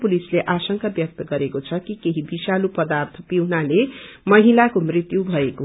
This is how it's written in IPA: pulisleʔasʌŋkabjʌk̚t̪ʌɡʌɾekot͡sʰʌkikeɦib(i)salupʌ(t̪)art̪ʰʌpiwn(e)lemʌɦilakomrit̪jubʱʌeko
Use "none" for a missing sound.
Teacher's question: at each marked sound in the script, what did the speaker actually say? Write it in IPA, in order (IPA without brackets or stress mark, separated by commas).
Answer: i, d̪, a